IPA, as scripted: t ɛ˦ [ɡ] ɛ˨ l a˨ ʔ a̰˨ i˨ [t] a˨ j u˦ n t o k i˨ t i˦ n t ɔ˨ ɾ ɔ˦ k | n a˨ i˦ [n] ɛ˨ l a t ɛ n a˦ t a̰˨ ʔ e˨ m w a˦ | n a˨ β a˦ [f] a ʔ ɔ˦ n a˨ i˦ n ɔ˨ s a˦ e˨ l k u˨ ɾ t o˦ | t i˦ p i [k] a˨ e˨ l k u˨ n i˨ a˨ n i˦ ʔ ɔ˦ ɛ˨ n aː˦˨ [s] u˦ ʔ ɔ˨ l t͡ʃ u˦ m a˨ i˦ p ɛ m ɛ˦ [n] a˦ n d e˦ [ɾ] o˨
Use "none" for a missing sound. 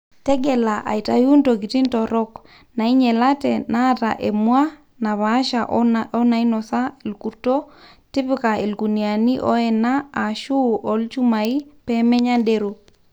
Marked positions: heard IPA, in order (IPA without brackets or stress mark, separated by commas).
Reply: ɡ, t, ɲ, ʃ, k, ʃ, ɲ, ɾ